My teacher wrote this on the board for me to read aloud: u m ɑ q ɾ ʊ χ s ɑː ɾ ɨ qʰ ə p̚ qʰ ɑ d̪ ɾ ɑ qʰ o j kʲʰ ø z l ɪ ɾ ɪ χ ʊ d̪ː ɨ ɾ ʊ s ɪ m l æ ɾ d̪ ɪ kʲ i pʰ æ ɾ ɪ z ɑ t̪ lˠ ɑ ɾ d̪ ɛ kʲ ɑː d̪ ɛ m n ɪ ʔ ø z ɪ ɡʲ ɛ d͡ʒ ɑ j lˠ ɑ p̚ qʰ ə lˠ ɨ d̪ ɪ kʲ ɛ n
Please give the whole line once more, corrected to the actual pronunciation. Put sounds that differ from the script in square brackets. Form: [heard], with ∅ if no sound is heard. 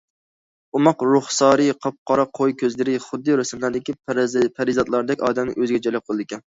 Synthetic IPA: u m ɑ q ɾ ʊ χ s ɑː ɾ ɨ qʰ [ɑ] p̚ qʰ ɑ [∅] ɾ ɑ qʰ o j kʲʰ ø z l ɪ ɾ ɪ χ ʊ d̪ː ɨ ɾ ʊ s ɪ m l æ ɾ d̪ ɪ kʲ i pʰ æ ɾ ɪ z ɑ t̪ lˠ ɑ ɾ d̪ ɛ kʲ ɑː d̪ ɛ m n ɪ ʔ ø z ɪ ɡʲ ɛ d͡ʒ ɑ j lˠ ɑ p̚ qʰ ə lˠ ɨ d̪ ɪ kʲ ɛ n